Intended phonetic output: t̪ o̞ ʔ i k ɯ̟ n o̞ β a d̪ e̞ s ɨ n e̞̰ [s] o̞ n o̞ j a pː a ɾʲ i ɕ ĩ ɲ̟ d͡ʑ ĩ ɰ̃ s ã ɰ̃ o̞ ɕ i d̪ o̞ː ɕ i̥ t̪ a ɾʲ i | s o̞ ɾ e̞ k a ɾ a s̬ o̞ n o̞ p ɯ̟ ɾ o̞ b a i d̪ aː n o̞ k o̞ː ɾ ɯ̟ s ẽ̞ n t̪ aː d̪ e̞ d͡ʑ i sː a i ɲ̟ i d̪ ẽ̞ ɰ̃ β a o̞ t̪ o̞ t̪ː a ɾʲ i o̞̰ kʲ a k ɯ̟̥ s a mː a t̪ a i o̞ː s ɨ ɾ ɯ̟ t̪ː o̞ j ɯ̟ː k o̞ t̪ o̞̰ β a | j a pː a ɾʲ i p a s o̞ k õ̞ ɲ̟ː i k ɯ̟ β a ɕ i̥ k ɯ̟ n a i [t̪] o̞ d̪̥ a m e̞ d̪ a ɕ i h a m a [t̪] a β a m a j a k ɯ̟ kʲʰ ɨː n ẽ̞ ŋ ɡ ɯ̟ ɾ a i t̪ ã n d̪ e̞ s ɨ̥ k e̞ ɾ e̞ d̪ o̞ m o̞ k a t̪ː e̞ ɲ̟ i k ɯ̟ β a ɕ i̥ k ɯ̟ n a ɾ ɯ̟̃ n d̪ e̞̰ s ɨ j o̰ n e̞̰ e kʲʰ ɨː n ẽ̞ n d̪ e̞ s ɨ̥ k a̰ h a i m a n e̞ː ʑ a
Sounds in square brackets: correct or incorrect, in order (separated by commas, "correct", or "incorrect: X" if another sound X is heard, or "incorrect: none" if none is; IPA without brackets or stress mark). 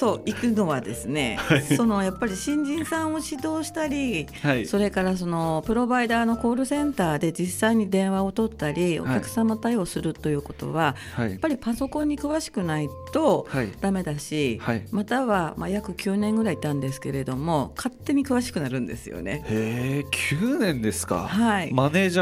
correct, correct, correct